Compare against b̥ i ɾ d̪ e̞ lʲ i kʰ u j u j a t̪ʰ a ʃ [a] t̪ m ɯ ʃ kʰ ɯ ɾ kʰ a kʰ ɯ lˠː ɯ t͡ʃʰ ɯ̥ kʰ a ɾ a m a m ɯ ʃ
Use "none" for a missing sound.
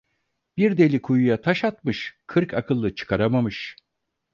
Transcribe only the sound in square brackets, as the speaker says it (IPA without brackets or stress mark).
a